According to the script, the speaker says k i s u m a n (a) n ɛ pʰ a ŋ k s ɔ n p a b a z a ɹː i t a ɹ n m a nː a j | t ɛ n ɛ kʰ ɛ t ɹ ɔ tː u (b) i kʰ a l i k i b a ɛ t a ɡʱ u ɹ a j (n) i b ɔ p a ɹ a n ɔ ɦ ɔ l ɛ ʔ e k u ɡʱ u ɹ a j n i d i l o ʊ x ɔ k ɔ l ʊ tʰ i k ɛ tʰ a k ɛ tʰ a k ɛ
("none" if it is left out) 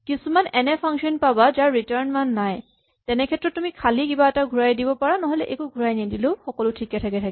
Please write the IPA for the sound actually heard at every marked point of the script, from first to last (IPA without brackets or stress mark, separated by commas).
ɛ, m, d